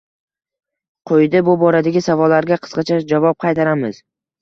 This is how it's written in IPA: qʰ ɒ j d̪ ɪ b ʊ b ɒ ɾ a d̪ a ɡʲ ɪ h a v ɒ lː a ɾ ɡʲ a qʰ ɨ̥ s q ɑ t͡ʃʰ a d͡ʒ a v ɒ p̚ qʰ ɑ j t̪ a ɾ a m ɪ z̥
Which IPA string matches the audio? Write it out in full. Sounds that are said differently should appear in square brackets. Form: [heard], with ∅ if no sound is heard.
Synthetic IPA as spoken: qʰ [o] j d̪ ɪ b ʊ b ɒ ɾ a d̪ a ɡʲ ɪ [s] a v ɒ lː a ɾ ɡʲ a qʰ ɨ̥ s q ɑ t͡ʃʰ a d͡ʒ a v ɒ p̚ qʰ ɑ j t̪ a ɾ a m ɪ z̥